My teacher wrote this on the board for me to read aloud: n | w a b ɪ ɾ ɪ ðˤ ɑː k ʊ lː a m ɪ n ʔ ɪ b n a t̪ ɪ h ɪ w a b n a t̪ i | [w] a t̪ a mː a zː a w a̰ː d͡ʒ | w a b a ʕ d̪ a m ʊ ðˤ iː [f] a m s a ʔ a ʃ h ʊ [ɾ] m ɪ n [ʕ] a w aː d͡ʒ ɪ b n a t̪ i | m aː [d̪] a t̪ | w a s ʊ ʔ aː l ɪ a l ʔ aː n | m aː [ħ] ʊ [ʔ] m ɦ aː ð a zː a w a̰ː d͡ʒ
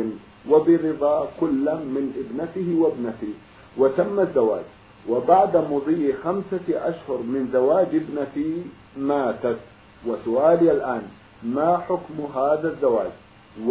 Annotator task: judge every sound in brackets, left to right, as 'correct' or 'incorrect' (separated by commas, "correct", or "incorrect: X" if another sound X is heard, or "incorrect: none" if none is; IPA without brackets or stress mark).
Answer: correct, incorrect: x, correct, incorrect: z, incorrect: t̪, correct, incorrect: k